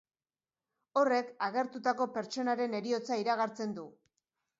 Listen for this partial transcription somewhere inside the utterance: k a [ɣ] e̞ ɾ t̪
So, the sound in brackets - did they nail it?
yes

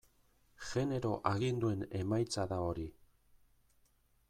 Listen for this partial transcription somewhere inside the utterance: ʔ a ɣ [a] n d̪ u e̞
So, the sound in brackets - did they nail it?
no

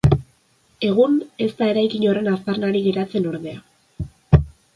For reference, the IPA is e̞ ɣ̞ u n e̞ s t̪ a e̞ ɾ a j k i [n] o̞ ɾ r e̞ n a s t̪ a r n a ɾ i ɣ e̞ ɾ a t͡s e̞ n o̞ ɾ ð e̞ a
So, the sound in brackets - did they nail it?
no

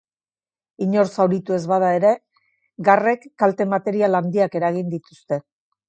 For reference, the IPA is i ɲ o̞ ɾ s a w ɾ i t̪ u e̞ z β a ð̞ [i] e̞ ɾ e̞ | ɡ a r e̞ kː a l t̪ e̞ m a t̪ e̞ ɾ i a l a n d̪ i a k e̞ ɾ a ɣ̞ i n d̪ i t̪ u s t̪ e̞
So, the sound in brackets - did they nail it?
no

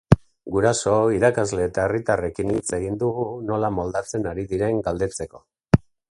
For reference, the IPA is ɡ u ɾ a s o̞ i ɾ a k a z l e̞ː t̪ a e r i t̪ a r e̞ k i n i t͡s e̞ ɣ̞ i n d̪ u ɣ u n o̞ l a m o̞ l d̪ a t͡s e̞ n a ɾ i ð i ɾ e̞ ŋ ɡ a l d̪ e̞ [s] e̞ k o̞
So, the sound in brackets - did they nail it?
no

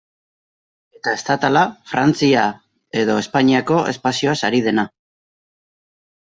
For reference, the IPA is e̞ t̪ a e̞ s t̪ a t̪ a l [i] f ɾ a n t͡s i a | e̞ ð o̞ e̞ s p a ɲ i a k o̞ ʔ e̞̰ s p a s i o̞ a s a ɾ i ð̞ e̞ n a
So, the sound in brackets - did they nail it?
no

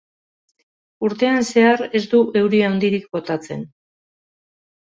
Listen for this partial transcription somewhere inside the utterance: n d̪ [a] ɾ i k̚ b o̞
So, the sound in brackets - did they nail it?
no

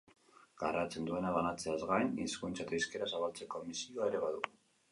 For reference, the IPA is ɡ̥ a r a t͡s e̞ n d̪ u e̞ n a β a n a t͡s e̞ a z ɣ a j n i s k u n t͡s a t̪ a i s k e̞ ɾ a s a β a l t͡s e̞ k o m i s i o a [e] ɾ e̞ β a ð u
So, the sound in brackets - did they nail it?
yes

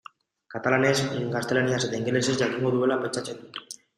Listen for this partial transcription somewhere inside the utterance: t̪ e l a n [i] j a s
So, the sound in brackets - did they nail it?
yes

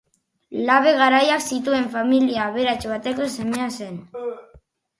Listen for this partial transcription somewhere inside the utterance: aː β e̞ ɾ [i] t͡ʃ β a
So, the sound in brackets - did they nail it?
no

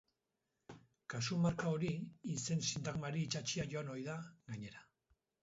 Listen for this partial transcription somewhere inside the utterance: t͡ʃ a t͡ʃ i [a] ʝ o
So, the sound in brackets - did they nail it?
yes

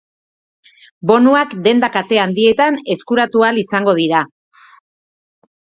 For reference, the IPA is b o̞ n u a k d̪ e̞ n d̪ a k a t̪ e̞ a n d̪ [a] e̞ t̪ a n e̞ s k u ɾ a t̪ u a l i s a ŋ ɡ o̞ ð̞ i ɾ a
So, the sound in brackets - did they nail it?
no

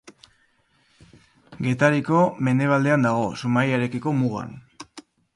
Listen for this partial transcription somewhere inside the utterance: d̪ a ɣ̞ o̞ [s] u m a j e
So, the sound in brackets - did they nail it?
yes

